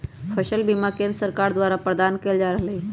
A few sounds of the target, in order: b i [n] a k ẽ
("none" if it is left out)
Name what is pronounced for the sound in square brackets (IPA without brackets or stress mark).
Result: m